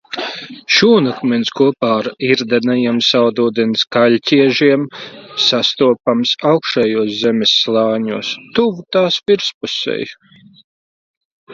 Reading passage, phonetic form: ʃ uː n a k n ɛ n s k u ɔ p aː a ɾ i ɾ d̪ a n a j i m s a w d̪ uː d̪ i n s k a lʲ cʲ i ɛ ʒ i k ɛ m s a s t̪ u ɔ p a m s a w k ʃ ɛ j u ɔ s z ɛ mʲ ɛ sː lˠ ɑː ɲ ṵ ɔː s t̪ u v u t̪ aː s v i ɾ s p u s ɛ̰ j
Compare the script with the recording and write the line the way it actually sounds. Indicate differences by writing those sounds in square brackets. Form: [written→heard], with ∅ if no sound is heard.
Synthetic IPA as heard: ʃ uː n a k [n→m] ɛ n s k u ɔ p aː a ɾ i ɾ d̪ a n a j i m s a w d̪ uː d̪ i n s k a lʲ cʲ i ɛ ʒ i [k→∅] ɛ m s a s t̪ u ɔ p a m s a w k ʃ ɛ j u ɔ s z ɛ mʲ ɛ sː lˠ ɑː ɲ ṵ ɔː s t̪ u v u t̪ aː s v i ɾ s p u s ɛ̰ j